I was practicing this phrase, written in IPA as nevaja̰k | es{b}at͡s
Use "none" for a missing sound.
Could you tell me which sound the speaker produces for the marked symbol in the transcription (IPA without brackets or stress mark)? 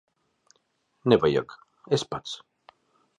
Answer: p